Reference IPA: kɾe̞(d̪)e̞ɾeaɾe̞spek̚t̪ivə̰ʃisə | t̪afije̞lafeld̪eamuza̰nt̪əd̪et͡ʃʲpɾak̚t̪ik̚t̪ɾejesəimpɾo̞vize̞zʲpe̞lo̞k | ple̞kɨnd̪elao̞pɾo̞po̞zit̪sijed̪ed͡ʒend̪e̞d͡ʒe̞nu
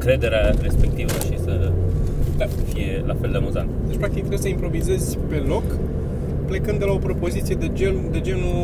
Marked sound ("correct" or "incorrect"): correct